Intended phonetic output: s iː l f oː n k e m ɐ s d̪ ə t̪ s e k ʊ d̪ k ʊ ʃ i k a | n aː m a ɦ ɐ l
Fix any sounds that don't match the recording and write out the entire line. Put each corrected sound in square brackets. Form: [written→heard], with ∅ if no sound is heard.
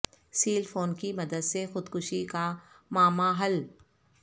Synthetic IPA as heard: s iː l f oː n k [e→i] m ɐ [s→∅] d̪ ə [t̪→d̪] s e [k→x] ʊ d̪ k ʊ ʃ i k a | [n→m] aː m a ɦ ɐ l